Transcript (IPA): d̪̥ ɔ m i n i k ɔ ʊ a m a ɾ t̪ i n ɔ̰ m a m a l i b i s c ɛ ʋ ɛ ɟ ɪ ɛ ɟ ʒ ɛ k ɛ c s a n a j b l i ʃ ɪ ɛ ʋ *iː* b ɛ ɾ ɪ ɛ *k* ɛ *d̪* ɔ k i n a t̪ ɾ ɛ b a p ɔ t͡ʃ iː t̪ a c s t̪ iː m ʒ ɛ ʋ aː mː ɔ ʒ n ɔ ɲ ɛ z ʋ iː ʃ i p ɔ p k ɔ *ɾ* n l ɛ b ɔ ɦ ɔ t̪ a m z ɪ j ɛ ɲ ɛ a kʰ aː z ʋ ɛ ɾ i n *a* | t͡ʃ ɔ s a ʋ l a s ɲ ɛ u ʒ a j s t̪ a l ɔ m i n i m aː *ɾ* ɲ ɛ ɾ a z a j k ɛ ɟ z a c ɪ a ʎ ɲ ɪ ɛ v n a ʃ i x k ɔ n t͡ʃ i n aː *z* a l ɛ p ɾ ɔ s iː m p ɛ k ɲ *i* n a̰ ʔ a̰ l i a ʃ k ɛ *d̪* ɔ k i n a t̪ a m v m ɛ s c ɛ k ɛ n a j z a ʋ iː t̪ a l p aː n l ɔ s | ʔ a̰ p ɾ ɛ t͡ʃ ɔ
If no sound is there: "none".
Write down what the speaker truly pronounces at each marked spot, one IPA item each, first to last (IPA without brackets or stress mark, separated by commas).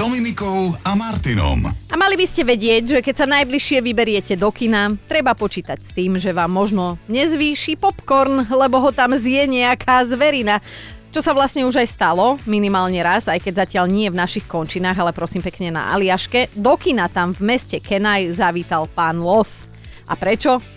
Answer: i, c, d̪, ɾ, a, l, ɣ, ɛ, d̪